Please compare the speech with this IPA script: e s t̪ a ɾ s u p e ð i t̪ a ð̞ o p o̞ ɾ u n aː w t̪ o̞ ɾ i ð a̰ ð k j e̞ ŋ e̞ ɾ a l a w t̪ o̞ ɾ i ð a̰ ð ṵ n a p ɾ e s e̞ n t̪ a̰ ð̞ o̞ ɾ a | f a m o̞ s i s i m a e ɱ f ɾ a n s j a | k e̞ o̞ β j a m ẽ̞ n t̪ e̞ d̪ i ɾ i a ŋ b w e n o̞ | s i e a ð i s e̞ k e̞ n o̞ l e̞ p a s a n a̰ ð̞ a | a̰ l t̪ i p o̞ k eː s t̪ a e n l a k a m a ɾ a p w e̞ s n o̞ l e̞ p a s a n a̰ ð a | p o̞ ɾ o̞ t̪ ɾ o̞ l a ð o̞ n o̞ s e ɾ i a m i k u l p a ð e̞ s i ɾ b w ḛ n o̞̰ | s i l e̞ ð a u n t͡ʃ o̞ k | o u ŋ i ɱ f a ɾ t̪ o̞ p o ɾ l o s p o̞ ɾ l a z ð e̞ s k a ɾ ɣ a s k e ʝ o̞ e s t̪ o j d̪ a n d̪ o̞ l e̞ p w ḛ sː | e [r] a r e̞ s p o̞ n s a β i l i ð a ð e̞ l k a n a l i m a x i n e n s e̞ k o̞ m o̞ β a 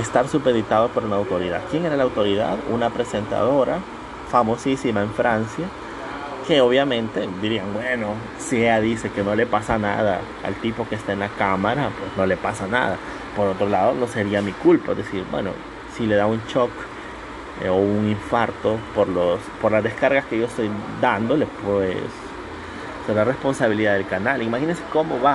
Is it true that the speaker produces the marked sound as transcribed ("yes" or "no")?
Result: no